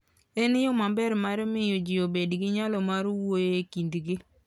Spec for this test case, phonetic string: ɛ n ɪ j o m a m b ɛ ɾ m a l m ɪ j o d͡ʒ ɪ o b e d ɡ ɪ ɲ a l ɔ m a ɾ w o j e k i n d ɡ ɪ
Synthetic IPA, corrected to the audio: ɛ n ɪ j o m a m b ɛ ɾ m a ɾ m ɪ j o d͡ʒ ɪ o b e d ɡ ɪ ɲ a l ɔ m a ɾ w o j e k i n d ɡ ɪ